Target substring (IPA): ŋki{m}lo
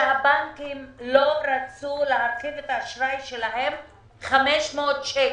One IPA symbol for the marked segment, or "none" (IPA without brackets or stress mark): m